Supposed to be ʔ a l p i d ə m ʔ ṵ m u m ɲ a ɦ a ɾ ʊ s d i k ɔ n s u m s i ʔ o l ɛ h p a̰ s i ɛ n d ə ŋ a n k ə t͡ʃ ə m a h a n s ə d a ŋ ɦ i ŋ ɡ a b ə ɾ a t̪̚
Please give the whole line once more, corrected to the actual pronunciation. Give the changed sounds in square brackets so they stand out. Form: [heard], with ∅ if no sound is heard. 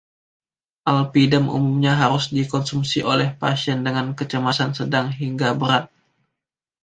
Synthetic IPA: ʔ a l p i d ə m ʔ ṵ m u m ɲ a ɦ a ɾ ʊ s d i k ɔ n s u m s i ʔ o l ɛ h p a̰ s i ɛ n d ə ŋ a n k ə t͡ʃ ə m a [s] a n s ə d a ŋ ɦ i ŋ ɡ a b ə ɾ a t̪̚